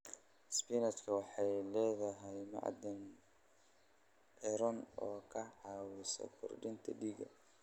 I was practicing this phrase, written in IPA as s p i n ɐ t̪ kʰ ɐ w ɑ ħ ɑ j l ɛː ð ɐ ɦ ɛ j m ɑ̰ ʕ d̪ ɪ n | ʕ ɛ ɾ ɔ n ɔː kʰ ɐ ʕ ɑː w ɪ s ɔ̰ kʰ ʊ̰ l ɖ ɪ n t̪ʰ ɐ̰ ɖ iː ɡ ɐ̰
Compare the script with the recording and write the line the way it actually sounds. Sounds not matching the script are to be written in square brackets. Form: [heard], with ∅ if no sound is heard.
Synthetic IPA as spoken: s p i n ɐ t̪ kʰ ɐ w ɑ ħ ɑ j l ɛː ð ɐ ɦ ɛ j m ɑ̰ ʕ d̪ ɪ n | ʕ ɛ ɾ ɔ n ɔː kʰ ɐ ʕ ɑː w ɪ s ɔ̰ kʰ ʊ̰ [r] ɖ ɪ n t̪ʰ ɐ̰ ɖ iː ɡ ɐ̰